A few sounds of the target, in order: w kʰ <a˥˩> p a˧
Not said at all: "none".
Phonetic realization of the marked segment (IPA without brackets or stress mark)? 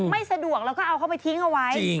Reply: a˥˩